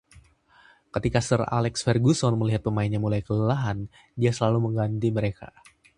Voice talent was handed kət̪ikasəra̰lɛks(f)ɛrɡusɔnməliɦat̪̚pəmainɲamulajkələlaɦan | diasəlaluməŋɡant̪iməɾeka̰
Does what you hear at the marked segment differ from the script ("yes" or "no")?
no